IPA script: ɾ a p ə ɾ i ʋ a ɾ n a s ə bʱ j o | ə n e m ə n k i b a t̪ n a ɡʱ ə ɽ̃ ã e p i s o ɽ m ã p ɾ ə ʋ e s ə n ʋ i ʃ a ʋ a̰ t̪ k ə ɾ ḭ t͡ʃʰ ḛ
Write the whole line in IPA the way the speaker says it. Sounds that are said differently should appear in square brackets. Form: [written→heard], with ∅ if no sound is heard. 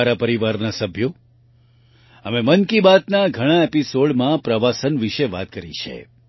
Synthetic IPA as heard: ɾ a p ə ɾ i ʋ a ɾ n a s ə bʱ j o | ə [n→m] e m ə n k i b a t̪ n a ɡʱ ə ɽ̃ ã e p i s o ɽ m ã p ɾ ə ʋ [e→a] s ə n ʋ i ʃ [a→e] ʋ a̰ t̪ k ə ɾ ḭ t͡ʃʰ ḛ